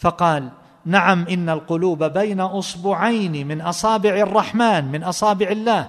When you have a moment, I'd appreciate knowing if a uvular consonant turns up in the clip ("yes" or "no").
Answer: yes